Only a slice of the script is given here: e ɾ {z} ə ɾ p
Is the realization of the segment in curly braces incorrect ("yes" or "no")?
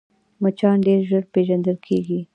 yes